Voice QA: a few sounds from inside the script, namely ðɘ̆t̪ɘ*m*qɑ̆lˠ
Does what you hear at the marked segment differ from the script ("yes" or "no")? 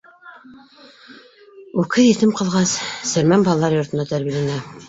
no